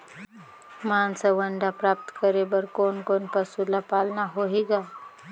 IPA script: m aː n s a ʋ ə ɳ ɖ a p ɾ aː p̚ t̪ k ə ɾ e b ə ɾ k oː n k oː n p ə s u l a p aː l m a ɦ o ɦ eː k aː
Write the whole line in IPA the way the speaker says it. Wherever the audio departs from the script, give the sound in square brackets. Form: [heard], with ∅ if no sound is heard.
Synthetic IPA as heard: m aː n s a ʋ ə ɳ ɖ a p ɾ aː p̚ t̪ k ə ɾ e b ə ɾ k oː n k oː n p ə s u l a p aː l [n] a ɦ o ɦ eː [ɡ] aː